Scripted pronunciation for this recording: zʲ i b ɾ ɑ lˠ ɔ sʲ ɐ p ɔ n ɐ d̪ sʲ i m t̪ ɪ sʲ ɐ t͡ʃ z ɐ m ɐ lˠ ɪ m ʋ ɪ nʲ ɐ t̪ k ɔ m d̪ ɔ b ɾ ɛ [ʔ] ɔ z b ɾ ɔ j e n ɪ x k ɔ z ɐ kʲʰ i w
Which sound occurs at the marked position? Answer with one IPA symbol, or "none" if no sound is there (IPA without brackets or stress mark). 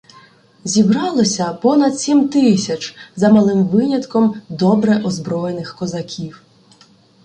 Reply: ʔ